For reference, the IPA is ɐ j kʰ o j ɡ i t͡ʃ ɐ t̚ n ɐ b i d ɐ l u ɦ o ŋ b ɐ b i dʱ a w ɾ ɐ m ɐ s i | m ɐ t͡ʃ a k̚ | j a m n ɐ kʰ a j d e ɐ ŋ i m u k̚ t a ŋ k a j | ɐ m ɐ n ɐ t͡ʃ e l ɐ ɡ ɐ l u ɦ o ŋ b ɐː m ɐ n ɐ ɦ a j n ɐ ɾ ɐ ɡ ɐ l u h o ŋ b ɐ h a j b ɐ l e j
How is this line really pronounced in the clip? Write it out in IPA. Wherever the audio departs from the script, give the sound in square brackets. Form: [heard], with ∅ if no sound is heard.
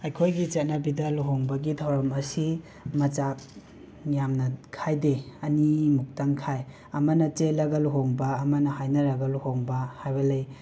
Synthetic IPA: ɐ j kʰ o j ɡ i t͡ʃ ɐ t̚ n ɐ b i d ɐ l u ɦ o ŋ b ɐ [ɡ] i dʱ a w ɾ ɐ m ɐ s i | m ɐ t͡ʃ a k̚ | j a m n ɐ kʰ a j d e ɐ [n] i m u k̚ t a ŋ [kʰ] a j | ɐ m ɐ n ɐ t͡ʃ e l ɐ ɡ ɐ l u ɦ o ŋ b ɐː m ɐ n ɐ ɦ a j n ɐ ɾ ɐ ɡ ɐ l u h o ŋ b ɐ h a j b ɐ l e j